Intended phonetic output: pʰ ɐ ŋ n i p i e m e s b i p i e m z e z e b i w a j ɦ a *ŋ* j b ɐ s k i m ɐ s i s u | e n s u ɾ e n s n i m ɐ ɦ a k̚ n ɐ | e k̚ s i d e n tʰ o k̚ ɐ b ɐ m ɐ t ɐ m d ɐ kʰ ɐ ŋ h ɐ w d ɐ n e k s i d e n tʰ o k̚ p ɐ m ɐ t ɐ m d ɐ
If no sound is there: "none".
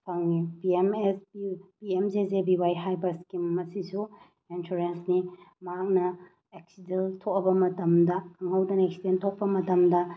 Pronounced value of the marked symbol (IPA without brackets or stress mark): none